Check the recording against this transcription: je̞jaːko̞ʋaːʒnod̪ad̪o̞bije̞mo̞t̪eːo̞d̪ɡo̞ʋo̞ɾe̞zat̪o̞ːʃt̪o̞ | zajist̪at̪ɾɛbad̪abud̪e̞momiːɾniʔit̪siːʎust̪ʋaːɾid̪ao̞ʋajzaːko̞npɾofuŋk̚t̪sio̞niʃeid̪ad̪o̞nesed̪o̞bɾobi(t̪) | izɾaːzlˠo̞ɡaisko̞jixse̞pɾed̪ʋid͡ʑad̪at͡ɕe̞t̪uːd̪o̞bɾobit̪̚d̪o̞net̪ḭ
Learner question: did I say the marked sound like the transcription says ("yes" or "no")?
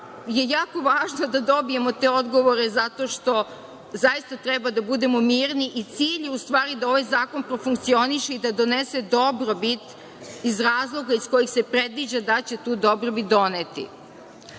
yes